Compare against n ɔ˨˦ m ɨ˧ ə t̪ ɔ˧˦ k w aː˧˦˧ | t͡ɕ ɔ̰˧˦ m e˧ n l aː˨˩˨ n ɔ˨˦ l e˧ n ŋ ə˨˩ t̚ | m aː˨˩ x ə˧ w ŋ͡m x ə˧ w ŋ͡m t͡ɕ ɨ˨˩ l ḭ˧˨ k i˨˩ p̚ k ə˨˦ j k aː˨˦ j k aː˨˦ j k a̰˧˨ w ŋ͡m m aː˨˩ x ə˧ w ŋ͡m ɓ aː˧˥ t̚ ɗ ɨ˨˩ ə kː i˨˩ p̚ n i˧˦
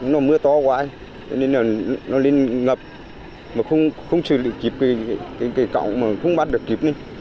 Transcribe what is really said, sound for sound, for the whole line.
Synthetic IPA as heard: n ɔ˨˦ m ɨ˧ ə t̪ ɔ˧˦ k w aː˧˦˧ | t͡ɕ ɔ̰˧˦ n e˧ n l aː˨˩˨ n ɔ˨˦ l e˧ n ŋ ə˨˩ p̚ | m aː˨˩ x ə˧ w ŋ͡m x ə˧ w ŋ͡m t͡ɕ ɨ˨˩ l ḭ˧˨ k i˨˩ p̚ k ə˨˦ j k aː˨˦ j k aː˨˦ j k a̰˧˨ w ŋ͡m m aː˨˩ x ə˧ w ŋ͡m ɓ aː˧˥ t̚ ɗ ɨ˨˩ ə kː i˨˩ p̚ n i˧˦